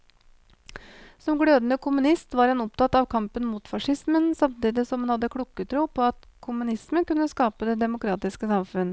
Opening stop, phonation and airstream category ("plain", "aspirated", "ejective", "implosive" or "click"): plain